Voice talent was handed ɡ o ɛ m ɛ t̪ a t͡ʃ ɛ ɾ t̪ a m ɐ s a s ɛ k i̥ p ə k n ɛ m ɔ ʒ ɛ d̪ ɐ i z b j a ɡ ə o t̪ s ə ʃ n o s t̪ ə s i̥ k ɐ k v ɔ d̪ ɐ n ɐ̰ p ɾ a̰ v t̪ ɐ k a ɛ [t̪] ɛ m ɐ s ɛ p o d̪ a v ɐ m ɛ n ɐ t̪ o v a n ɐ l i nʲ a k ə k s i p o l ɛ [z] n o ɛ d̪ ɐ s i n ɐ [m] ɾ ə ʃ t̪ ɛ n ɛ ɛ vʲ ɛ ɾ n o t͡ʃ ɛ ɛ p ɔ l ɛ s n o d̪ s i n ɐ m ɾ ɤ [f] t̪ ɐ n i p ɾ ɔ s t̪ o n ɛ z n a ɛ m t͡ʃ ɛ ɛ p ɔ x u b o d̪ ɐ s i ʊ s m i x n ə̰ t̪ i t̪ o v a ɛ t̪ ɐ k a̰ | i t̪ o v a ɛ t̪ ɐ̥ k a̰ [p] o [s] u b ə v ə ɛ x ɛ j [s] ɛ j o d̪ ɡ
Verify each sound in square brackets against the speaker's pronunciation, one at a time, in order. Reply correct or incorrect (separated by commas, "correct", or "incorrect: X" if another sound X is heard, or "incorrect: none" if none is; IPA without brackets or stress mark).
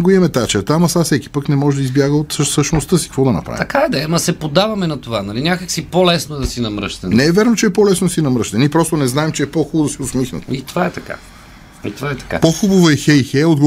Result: incorrect: d̪, incorrect: s, correct, incorrect: ʃ, correct, incorrect: x, incorrect: x